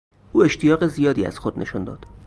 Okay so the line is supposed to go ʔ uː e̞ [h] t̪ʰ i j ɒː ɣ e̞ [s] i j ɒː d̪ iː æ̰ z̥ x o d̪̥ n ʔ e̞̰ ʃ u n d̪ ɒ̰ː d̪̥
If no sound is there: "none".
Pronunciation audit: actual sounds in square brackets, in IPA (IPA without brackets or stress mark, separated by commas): ʃ, z